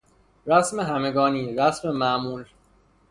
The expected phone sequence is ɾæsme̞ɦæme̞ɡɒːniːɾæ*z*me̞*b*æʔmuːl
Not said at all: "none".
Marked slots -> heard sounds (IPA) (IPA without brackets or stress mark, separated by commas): s, m